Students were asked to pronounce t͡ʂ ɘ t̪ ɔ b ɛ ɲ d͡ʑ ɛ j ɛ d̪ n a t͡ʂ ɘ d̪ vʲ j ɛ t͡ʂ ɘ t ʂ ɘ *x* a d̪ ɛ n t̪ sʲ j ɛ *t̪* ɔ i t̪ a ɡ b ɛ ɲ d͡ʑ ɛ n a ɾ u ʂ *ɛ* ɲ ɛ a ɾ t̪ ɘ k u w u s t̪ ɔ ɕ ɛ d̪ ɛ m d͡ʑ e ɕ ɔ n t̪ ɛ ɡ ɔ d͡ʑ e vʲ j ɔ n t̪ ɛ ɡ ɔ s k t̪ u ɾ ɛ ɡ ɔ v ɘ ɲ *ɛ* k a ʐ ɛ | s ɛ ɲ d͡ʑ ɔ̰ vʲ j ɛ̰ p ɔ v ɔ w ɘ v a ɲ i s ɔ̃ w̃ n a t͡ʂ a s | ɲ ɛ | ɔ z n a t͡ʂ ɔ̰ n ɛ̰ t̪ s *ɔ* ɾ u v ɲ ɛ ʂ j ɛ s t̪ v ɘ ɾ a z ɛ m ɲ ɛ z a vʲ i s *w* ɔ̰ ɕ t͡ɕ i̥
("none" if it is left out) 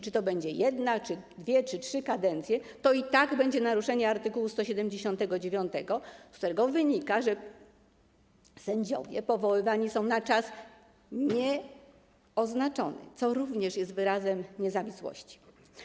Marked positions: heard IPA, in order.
k, t̪, ɛ, i, ɔ, w

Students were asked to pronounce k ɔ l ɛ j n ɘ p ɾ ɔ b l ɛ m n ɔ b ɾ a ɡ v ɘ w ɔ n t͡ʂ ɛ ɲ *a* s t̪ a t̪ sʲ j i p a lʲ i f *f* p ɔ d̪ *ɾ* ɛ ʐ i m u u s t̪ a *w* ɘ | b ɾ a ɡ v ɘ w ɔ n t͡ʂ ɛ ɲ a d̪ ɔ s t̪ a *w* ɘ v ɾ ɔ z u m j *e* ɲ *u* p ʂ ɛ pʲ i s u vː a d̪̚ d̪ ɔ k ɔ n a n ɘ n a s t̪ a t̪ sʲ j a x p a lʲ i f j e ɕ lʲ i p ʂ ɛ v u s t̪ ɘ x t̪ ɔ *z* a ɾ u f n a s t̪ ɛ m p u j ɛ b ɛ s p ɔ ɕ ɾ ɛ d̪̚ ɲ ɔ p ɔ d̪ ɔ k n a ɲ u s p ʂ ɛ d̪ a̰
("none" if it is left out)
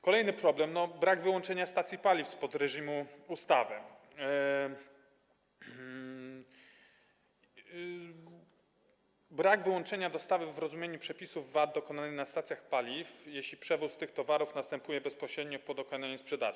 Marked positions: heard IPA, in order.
a, s, ɾ, v, v, e, u, v

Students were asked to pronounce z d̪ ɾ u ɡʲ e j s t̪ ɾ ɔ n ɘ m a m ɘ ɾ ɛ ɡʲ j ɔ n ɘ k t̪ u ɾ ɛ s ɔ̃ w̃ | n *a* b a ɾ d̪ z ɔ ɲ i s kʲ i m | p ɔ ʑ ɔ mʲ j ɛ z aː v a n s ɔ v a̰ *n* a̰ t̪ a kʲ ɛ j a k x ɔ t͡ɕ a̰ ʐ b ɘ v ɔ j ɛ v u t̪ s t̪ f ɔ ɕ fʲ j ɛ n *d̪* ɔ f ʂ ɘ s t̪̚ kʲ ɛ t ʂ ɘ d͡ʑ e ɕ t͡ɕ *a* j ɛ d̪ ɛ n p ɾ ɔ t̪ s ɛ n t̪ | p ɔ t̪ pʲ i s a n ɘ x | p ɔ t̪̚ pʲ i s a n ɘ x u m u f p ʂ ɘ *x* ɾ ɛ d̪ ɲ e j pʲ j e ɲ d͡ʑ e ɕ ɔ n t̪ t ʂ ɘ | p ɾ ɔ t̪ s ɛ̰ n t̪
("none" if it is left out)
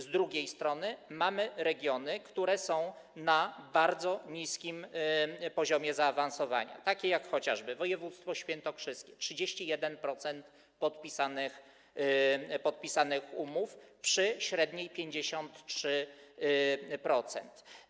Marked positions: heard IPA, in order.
a, ɲ, t̪, i, ɕ

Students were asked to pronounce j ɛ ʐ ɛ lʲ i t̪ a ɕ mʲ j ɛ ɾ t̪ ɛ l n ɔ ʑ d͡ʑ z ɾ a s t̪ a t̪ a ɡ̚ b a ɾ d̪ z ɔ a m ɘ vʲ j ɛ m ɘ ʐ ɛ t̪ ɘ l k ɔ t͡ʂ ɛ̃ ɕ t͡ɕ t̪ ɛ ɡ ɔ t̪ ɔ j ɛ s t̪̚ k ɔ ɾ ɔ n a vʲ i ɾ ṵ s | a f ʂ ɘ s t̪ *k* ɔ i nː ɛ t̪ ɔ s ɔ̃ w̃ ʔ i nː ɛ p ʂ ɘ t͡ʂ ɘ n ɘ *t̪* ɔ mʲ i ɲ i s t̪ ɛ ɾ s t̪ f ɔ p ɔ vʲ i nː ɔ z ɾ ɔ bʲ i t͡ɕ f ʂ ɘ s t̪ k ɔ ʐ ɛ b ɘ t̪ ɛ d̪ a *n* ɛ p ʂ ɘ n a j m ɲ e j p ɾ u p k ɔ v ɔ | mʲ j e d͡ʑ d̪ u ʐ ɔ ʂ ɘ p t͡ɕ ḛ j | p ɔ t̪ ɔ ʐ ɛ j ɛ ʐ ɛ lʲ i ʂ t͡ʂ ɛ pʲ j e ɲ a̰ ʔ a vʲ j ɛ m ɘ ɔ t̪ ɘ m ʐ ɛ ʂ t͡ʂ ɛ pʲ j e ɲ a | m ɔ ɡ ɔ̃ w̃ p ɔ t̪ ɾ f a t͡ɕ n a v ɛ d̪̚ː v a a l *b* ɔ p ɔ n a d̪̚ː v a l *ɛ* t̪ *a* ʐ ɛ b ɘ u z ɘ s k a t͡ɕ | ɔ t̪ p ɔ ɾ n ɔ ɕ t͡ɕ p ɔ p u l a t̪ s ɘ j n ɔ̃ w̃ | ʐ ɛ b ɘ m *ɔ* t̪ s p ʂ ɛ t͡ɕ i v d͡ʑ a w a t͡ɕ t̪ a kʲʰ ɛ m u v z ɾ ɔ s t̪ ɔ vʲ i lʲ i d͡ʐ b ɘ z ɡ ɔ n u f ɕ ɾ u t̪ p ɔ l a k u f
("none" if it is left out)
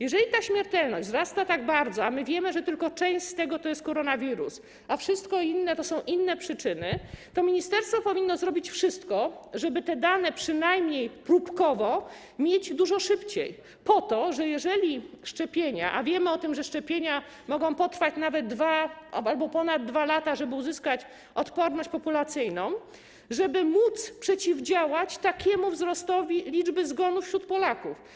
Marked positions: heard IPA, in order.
k, t̪, n, b, a, a, u

